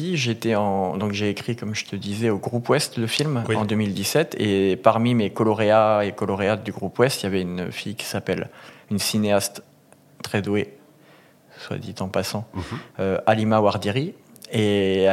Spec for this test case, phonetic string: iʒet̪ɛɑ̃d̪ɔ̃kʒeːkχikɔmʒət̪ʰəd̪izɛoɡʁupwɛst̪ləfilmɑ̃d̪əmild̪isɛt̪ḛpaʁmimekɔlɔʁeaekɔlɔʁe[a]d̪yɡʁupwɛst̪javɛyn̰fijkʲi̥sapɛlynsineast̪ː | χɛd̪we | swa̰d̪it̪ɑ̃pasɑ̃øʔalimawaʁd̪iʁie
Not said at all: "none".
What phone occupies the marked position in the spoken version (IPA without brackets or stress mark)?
a